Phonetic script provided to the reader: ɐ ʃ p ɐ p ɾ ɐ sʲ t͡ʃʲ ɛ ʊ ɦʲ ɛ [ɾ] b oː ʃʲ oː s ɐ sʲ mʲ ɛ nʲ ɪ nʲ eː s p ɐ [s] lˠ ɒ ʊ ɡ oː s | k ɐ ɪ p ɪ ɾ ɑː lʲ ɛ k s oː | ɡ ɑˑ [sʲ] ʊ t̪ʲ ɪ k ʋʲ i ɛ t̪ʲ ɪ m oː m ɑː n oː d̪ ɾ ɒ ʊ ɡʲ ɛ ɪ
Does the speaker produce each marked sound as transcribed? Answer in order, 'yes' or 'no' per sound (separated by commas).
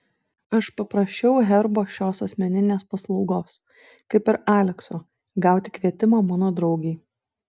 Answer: yes, yes, no